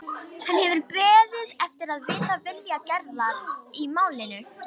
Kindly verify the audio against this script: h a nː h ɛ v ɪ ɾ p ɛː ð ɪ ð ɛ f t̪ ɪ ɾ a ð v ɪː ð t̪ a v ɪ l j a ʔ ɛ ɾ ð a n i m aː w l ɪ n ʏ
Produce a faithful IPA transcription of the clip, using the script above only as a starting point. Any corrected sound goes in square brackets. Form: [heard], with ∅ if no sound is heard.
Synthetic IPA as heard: h a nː h ɛ v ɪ ɾ p ɛː ð ɪ ð ɛ f t̪ ɪ ɾ a ð v ɪː [∅] t̪ a v ɪ l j a [c] ɛ ɾ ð a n i m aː w l ɪ n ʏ